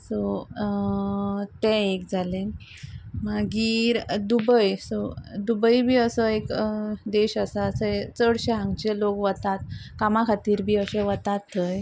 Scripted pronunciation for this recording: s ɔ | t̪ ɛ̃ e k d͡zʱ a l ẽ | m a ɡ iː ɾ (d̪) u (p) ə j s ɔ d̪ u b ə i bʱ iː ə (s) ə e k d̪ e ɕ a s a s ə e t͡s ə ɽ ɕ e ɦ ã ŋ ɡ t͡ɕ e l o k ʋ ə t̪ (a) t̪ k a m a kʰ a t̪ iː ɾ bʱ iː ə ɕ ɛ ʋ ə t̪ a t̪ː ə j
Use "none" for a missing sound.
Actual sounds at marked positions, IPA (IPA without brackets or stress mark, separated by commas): d̪, b, s, a